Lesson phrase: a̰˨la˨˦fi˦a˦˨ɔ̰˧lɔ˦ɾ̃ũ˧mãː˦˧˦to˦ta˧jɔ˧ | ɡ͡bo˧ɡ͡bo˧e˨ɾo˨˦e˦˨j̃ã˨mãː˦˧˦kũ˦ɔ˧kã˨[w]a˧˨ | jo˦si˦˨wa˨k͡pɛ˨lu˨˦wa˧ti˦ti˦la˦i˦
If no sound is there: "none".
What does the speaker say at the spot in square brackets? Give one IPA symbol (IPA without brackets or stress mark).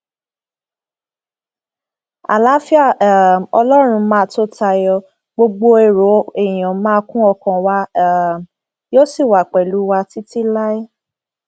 w